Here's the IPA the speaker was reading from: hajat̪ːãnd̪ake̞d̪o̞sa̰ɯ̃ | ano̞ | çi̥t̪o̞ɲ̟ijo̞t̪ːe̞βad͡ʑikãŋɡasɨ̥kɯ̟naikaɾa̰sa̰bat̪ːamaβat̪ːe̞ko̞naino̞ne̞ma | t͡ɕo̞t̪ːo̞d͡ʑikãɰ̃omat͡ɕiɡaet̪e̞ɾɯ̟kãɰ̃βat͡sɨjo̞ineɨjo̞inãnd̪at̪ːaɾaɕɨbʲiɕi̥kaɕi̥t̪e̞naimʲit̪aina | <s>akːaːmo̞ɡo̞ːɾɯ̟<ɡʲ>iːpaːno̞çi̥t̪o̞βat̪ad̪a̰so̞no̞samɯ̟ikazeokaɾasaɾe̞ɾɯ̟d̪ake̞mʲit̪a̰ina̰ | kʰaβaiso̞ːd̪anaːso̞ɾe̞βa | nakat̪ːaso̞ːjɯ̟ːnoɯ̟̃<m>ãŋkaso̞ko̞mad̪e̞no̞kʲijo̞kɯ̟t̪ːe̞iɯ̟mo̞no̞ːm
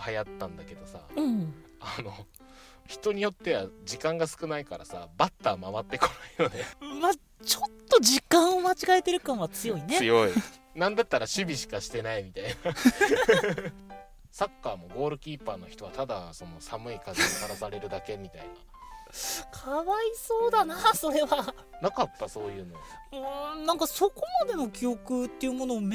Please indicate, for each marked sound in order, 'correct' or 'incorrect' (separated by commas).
correct, incorrect, incorrect